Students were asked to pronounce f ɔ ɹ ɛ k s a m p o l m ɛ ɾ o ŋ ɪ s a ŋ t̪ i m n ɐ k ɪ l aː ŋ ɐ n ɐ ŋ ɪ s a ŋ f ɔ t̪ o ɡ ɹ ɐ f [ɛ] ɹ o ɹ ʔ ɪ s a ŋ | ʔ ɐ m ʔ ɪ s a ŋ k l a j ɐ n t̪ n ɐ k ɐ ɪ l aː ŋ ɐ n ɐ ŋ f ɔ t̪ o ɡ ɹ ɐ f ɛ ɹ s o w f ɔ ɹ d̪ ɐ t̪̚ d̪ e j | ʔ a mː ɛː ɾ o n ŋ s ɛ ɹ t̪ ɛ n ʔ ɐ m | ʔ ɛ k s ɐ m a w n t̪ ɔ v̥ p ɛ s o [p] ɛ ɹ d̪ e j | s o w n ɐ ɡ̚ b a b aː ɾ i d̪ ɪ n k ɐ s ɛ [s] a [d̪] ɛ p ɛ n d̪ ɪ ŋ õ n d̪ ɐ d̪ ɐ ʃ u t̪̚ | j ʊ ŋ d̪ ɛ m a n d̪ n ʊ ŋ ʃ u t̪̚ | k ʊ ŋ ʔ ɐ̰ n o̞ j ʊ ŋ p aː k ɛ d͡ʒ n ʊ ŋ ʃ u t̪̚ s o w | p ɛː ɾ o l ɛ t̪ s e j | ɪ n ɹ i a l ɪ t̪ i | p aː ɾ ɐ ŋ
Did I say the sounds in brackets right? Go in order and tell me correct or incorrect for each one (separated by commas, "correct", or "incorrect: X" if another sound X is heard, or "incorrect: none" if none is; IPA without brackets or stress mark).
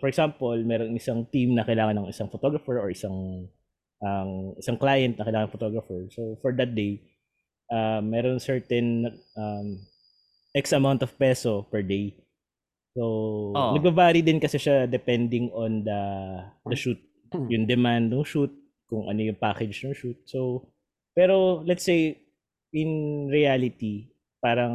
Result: correct, correct, incorrect: ʃ, correct